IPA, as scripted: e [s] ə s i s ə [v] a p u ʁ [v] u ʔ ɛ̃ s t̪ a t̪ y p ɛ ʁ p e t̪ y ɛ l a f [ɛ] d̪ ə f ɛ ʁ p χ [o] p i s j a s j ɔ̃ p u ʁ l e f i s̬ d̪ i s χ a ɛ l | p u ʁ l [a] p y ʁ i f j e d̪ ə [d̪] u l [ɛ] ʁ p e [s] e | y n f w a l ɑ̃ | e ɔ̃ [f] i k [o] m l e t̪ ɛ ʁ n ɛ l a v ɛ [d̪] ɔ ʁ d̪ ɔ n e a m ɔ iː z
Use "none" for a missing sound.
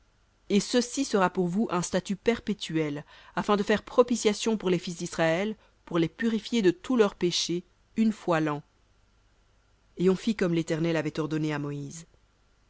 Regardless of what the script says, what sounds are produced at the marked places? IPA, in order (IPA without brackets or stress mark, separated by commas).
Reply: s, ʁ, v, ɛ̃, ɔ, e, t̪, œ, ʃ, f, ɔ, t̪